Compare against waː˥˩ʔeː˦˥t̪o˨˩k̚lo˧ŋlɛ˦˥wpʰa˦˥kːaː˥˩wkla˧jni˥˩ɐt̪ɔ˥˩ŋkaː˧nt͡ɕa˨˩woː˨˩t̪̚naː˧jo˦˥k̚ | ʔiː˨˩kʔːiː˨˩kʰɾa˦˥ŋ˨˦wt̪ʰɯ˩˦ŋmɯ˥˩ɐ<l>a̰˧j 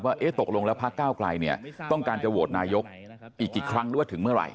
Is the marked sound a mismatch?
yes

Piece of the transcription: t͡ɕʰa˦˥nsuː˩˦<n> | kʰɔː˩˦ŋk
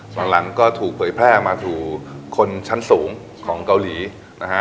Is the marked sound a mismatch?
yes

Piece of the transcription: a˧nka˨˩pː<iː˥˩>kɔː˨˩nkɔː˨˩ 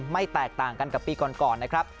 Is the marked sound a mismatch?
yes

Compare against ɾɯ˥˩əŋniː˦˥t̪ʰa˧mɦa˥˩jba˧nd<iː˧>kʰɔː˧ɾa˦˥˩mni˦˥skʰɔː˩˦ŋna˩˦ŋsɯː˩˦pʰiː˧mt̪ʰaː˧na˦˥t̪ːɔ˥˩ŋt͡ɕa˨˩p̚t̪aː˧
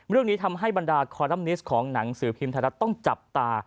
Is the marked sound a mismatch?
yes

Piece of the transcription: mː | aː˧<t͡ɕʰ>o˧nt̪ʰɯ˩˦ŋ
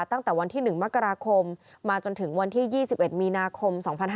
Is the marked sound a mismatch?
yes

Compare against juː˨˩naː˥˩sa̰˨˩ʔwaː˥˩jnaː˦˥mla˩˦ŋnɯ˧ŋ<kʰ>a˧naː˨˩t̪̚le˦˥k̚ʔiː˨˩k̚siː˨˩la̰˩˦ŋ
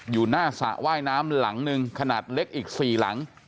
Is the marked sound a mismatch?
no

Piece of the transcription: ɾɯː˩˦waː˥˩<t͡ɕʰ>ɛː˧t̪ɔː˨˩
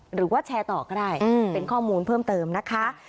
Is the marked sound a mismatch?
no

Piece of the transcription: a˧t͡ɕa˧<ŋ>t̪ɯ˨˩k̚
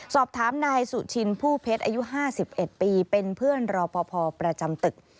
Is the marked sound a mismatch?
yes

